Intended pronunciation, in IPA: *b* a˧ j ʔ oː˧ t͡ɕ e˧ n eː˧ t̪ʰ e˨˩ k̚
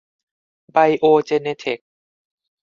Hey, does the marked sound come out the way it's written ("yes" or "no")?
yes